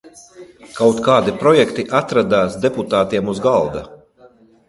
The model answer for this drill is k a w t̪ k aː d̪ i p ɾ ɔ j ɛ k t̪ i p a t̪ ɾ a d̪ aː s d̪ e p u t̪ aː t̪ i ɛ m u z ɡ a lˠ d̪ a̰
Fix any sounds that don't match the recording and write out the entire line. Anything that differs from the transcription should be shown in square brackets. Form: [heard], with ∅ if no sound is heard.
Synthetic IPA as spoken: k a w t̪ k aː d̪ i p ɾ ɔ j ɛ k t̪ i [ʔ] a t̪ ɾ a d̪ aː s d̪ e p u t̪ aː t̪ i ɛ m u z ɡ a lˠ d̪ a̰